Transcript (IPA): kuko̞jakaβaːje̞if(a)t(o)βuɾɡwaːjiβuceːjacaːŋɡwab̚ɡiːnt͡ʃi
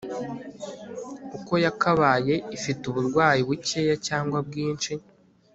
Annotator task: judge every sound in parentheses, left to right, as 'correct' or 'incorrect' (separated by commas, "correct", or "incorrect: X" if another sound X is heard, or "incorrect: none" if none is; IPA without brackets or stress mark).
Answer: incorrect: i, incorrect: u